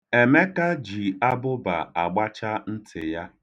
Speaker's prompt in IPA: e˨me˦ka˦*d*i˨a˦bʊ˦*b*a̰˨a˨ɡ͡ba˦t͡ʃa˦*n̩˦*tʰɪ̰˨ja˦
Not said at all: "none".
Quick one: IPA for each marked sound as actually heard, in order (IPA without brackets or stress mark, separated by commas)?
d͡ʒ, b, n̩˦